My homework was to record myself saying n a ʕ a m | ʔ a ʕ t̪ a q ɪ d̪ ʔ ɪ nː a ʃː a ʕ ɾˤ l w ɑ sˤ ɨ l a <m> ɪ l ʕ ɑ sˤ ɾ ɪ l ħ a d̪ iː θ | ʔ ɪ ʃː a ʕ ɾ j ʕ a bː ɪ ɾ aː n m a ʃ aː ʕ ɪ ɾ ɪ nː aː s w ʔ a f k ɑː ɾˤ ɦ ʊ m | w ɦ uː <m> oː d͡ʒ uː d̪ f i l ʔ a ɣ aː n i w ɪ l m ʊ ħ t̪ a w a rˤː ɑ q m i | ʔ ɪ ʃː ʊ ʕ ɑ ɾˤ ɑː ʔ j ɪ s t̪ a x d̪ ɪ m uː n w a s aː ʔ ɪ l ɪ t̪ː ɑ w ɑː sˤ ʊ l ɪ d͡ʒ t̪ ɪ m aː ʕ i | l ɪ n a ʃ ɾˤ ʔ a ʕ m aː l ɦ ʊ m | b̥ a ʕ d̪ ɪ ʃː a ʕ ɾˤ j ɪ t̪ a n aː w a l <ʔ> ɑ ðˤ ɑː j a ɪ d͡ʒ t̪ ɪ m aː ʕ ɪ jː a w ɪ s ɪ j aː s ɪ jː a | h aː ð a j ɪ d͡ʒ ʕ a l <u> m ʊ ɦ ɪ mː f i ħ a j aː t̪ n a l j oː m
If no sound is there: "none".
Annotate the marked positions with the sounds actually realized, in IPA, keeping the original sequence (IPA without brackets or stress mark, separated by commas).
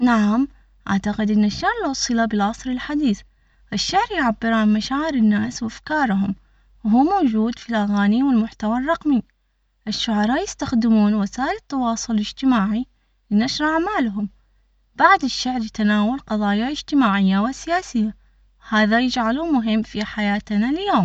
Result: b, m, q, u